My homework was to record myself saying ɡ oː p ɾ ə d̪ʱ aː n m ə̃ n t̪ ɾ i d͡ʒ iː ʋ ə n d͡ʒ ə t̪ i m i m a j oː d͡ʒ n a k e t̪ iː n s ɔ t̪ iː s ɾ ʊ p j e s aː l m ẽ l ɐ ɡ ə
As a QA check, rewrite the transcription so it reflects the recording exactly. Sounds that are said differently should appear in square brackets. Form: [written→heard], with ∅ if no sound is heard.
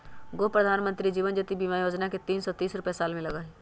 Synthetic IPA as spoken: ɡ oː p ɾ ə d̪ʱ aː n m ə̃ n t̪ ɾ i d͡ʒ iː ʋ ə n d͡ʒ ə t̪ i [m→b] i m a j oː d͡ʒ n a k e t̪ iː n s ɔ t̪ iː s ɾ ʊ p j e s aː l m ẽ l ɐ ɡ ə

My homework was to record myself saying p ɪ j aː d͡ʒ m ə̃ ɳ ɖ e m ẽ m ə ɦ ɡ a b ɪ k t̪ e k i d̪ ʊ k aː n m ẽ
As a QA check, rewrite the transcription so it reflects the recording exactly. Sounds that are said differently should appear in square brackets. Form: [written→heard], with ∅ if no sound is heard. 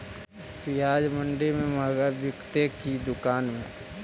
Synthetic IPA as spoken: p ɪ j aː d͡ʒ m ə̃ ɳ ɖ e m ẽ m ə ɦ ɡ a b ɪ k t̪ e k i d̪ ʊ k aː n m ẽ

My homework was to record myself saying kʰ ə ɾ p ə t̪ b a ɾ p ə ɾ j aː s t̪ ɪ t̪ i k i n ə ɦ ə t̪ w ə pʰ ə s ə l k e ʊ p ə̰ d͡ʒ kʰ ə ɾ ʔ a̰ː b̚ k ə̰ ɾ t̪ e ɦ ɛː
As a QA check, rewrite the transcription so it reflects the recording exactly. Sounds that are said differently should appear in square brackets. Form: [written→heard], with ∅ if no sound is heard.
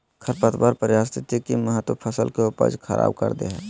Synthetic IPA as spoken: kʰ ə ɾ p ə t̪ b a ɾ p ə ɾ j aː s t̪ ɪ t̪ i k i [n→m] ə ɦ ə t̪ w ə pʰ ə s ə l k e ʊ p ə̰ d͡ʒ kʰ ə ɾ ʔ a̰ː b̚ k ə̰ ɾ [t̪→d̪] e ɦ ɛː

